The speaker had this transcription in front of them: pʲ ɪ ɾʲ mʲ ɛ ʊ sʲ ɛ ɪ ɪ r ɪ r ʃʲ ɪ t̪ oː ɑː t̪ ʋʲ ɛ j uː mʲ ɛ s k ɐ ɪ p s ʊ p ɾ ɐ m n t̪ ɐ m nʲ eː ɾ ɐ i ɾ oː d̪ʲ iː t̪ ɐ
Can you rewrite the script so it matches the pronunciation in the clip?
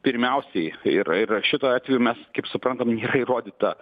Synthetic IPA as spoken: pʲ ɪ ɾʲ mʲ ɛ ʊ sʲ ɛ ɪ ɪ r ɪ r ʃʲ ɪ t̪ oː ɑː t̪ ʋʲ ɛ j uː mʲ ɛ s k ɐ ɪ p s ʊ p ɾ ɐ n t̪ ɐ m nʲ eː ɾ ɐ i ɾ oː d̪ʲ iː t̪ ɐ